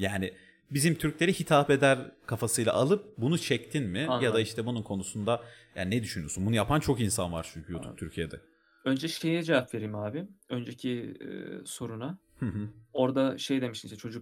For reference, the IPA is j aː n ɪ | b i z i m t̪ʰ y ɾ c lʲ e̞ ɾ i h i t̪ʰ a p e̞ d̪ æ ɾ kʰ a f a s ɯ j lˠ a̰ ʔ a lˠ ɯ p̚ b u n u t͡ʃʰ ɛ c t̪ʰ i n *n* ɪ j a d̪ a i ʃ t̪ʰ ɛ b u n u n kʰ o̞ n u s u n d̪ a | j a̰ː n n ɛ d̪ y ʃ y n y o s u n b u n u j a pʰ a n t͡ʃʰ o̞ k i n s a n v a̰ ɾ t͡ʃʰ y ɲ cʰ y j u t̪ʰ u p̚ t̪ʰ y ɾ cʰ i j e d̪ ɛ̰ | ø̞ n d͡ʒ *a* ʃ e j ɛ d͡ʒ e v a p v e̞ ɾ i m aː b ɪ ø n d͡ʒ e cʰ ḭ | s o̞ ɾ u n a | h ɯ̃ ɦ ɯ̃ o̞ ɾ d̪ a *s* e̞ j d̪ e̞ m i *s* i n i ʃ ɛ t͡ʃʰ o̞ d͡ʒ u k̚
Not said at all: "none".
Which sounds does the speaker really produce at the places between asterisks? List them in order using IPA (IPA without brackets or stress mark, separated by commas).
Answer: m, ɛ, ʃ, ʃ